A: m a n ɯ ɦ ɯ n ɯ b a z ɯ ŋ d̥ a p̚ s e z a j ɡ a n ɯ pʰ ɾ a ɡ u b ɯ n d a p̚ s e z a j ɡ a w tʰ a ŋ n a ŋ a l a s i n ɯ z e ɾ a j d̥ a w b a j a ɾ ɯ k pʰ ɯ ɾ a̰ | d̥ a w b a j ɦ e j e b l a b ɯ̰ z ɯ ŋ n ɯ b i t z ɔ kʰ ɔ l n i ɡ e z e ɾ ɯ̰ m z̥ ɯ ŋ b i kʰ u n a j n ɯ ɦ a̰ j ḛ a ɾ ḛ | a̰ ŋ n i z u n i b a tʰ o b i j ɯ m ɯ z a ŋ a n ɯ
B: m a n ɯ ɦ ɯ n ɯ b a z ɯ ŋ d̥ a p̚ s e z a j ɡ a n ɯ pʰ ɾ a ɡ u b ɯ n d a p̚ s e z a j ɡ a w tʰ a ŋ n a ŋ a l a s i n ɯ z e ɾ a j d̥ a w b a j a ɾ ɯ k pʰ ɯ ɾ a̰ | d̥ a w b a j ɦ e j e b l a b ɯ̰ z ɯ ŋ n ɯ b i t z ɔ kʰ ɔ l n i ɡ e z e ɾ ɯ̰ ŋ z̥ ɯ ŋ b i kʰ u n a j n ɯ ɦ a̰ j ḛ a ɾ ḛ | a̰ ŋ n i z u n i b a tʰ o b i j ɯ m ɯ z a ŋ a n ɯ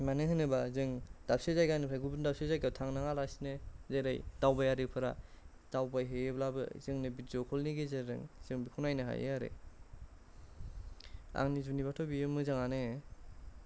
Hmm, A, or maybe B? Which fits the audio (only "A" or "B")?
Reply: B